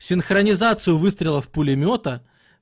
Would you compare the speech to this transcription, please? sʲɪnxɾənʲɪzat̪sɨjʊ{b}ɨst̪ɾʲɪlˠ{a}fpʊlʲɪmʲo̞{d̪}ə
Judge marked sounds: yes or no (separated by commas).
no, no, no